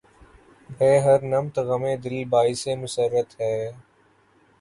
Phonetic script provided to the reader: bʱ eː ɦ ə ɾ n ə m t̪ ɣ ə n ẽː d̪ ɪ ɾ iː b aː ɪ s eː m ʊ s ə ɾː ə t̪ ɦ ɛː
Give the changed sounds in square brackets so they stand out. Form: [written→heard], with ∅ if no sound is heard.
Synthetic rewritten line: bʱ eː ɦ ə ɾ n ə m t̪ ɣ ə [n→m] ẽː d̪ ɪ [ɾ→l] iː b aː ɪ s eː m ʊ s ə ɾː ə t̪ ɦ ɛː